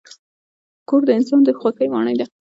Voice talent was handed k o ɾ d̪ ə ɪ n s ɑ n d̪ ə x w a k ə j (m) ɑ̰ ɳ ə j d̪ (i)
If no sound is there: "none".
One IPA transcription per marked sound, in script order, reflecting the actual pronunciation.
m, a

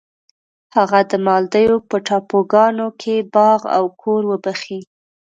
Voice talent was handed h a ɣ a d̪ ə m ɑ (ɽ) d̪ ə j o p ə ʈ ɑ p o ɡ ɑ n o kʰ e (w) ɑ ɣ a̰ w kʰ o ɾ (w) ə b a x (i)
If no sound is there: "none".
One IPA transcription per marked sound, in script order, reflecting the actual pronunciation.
l, b, w, i

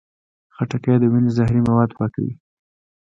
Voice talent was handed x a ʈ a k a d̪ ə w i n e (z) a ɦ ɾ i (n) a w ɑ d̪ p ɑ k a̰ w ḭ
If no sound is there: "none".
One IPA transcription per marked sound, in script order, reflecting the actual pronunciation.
z, m

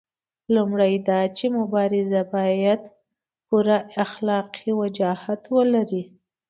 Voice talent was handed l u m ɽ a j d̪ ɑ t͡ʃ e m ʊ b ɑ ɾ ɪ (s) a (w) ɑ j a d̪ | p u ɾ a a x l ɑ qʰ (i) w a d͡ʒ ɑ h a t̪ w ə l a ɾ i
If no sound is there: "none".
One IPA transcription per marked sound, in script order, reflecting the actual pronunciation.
z, b, i

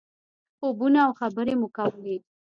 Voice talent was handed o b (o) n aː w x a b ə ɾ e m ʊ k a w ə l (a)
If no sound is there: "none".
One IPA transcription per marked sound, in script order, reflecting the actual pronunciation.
u, e

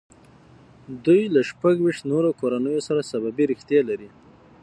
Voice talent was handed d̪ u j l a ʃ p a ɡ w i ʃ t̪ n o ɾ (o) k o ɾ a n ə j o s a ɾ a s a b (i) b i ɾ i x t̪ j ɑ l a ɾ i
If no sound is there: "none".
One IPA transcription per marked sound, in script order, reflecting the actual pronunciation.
o, a

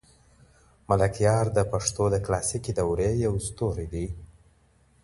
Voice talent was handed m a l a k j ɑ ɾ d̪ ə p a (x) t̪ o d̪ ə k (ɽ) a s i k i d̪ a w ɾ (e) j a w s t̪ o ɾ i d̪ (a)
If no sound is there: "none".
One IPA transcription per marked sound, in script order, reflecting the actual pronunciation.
ʂ, l, e, i

